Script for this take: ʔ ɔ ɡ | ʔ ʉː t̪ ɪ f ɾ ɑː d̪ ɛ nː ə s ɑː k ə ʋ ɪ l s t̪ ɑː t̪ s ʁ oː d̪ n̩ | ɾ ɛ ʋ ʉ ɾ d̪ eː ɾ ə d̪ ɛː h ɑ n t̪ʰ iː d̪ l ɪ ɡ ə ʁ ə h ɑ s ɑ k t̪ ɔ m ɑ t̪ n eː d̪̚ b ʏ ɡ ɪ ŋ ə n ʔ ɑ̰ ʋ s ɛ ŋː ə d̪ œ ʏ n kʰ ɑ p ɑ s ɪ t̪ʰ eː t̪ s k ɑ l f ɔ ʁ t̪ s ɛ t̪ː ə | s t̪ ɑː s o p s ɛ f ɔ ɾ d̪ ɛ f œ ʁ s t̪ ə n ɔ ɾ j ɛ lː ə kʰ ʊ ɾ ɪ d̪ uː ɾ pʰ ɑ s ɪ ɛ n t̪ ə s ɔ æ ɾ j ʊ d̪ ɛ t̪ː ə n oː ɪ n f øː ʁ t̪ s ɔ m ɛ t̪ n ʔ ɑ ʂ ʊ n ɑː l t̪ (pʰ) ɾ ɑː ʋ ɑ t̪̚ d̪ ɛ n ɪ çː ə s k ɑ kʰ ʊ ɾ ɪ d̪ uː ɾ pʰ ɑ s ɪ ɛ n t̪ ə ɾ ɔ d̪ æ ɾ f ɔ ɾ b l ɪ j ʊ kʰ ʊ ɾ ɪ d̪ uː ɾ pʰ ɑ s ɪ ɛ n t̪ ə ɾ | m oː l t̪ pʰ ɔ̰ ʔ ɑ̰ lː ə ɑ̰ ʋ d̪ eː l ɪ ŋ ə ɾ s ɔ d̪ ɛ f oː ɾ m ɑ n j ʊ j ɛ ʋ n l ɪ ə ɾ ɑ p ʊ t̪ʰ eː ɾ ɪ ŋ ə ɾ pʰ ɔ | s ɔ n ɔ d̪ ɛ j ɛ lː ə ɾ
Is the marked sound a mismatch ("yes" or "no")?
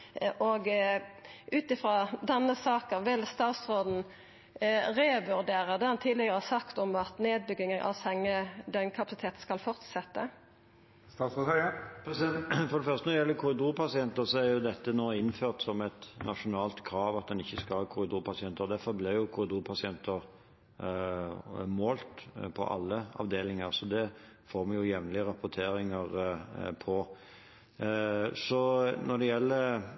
yes